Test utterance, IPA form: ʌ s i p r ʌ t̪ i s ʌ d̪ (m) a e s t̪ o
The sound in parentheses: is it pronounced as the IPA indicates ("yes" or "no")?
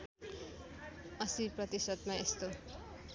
yes